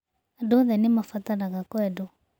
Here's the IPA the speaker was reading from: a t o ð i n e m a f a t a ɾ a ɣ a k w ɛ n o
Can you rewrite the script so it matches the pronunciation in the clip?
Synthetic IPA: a d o ð ɛ n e m a f a t a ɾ a ɣ a k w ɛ d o